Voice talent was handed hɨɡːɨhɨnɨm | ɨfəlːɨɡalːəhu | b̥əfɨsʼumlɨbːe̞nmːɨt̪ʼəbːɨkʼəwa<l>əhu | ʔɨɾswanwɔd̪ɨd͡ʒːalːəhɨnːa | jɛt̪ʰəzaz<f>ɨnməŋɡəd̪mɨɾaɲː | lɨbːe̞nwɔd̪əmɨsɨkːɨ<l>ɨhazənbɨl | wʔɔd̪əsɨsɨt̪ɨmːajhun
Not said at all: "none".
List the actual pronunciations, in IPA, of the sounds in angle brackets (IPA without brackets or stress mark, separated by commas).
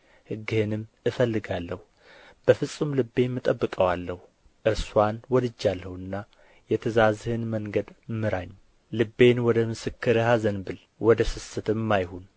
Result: lː, h, ɾ